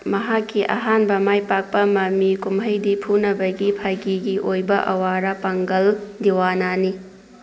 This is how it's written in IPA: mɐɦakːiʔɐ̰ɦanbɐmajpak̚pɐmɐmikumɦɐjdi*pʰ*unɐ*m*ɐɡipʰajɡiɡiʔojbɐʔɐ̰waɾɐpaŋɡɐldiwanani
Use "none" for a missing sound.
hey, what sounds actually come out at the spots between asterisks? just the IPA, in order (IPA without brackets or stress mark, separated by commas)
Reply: pʰ, b